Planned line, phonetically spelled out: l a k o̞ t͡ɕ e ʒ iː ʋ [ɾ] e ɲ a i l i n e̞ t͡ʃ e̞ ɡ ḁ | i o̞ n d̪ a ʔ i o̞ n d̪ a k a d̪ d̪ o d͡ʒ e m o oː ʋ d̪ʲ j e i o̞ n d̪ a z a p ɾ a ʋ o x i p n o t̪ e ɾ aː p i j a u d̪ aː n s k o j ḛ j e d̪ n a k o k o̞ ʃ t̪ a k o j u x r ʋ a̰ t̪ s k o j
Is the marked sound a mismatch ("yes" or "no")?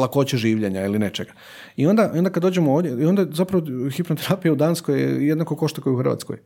yes